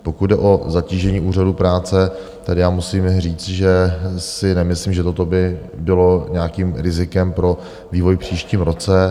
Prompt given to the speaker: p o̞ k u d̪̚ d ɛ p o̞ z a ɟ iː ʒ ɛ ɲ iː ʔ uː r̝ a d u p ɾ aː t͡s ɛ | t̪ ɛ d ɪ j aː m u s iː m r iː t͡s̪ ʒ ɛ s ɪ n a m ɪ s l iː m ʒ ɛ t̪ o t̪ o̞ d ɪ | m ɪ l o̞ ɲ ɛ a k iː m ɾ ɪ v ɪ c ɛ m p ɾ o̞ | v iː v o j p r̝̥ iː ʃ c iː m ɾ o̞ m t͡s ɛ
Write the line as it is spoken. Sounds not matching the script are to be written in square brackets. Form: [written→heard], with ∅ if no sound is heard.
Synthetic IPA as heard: p o̞ k u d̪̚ d ɛ [p→ʔ] o̞ z a [ɟ→c] iː ʒ ɛ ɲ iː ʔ uː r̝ a d u p ɾ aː t͡s ɛ | t̪ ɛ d ɪ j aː m u s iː m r iː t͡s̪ ʒ ɛ s ɪ n [a→ɛ] m ɪ s l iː m ʒ ɛ t̪ o t̪ o̞ [d→b] ɪ | [m→b] ɪ l o̞ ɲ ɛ a k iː m ɾ ɪ [v→z] ɪ [c→k] ɛ m p ɾ o̞ | v iː v o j p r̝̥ iː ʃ c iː m ɾ o̞ [m→∅] t͡s ɛ